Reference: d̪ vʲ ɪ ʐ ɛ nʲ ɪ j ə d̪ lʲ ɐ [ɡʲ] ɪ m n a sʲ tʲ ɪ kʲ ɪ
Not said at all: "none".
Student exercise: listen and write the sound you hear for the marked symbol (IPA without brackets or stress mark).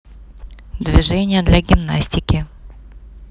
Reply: ɡʲ